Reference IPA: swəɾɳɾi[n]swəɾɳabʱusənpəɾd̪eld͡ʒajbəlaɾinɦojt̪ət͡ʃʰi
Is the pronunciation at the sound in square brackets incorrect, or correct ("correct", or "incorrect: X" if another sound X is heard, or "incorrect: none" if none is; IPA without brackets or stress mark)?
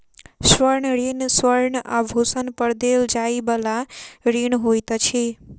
correct